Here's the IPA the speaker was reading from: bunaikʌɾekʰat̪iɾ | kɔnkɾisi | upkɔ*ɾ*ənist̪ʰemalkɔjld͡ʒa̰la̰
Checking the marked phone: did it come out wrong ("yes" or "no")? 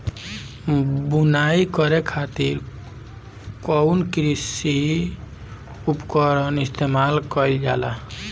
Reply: no